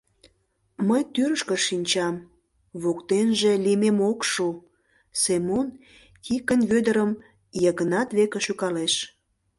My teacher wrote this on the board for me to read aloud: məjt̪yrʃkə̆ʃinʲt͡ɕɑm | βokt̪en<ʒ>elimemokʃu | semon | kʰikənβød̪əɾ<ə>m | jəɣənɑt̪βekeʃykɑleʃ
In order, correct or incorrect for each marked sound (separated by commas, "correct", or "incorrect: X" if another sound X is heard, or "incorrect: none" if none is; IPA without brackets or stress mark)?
correct, correct